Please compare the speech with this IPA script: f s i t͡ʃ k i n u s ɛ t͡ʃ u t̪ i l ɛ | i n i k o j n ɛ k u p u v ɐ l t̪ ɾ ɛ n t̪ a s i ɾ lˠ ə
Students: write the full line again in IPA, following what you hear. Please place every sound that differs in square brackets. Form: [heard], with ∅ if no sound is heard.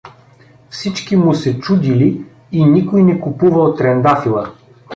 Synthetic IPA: f s i t͡ʃ k i [m] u s ɛ t͡ʃ u [d̪] i l [i] | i n i k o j n ɛ k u p u v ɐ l t̪ ɾ ɛ n [d̪] a [f] i [∅] lˠ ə